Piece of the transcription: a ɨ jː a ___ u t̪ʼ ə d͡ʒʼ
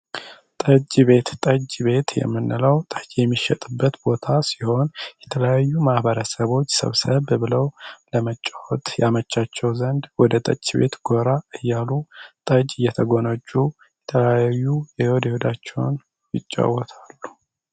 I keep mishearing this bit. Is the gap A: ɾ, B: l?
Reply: B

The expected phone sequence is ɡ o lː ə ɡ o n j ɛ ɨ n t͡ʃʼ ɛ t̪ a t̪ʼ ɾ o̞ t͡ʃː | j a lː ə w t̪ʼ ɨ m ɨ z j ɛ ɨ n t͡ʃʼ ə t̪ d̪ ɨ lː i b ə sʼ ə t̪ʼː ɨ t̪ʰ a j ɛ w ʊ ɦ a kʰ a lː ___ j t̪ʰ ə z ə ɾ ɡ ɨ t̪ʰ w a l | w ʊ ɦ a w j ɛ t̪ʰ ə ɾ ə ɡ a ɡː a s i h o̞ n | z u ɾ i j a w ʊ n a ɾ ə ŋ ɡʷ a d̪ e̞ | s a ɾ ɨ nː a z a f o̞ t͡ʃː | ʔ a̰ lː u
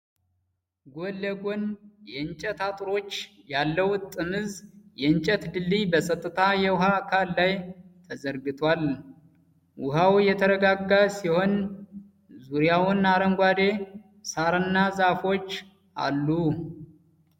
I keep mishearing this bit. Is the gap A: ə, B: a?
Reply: B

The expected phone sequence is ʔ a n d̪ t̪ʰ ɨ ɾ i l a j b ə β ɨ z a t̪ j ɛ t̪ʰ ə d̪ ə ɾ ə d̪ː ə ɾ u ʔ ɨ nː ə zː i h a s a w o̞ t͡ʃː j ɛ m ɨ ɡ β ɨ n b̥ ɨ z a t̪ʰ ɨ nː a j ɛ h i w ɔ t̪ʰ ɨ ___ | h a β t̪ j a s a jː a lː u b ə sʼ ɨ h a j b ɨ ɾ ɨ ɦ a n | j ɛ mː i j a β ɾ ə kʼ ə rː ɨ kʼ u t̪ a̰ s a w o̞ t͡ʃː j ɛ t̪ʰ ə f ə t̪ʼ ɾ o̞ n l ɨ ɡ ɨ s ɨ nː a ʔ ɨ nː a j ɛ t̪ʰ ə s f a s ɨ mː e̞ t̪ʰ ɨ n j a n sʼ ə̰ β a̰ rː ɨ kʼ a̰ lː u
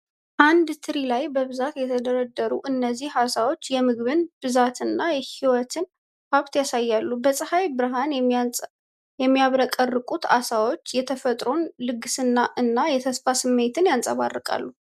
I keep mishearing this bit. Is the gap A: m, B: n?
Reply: B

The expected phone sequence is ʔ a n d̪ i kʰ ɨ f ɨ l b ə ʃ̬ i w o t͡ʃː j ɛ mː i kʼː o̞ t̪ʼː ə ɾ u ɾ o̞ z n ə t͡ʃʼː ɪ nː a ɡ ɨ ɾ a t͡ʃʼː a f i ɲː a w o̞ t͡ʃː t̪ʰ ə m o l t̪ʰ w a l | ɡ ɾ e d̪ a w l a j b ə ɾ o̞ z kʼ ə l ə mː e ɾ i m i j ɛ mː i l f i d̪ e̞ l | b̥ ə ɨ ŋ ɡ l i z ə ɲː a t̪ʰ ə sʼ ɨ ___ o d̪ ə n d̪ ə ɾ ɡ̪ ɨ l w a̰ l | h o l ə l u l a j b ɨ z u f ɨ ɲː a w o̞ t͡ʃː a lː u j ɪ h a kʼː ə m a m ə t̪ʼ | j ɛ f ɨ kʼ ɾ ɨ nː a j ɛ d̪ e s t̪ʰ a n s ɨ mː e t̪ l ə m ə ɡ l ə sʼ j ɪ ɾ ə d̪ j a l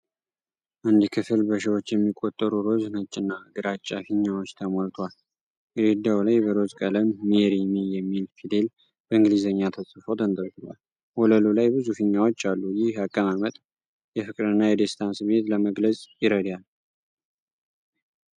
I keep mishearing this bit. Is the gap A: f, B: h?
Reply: A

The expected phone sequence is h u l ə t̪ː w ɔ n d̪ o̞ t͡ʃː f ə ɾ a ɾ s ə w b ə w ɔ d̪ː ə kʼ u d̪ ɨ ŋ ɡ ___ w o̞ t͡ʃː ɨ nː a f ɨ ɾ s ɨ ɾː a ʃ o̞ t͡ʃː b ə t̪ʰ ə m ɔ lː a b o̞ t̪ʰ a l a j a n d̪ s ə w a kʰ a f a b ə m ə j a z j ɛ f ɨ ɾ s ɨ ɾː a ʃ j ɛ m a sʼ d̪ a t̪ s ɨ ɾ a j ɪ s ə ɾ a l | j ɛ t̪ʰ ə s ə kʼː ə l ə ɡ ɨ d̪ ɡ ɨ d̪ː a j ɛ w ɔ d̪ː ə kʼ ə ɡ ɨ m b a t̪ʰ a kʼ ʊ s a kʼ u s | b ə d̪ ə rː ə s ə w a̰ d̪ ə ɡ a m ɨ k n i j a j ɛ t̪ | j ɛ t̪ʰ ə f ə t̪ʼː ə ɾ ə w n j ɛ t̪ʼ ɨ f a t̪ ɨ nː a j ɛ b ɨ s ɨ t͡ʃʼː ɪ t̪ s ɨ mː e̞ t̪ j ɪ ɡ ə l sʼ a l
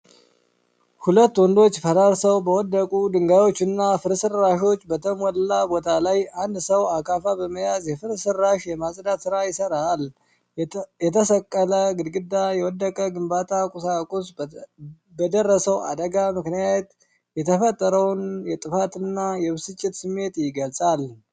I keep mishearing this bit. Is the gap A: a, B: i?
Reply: A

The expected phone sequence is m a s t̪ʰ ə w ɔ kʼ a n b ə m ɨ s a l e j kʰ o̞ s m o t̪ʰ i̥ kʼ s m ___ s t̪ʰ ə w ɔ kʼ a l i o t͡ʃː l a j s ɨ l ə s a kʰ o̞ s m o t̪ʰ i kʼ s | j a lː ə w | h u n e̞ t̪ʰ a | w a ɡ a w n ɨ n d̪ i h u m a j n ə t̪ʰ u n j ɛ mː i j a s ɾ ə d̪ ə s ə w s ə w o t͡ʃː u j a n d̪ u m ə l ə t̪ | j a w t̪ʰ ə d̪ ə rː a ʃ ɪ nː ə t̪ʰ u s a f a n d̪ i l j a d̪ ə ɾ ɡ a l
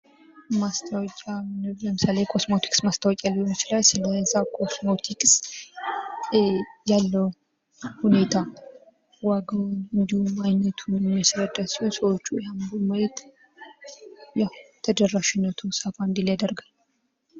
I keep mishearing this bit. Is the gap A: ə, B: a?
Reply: B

